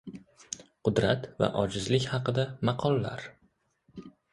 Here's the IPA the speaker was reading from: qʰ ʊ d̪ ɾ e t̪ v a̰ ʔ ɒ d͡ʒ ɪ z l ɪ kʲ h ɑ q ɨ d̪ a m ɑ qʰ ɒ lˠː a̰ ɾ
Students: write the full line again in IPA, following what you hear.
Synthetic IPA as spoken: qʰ ʊ d̪ ɾ a t̪ v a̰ ʔ ɒ d͡ʒ ɪ z l ɪ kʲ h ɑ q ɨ d̪ a m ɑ qʰ ɒ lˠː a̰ ɾ